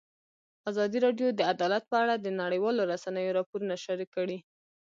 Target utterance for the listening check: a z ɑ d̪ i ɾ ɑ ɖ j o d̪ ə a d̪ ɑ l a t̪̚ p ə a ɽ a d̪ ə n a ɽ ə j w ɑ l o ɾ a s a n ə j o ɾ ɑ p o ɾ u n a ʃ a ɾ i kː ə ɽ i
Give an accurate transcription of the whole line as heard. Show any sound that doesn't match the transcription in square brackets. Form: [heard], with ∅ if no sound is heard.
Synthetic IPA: a z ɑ d̪ i ɾ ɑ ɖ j o d̪ ə a d̪ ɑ l a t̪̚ p ə a ɽ a d̪ ə n a ɽ ə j w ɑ l o ɾ a s a n ə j o ɾ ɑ p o ɾ u n a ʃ a ɾ i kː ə ɽ i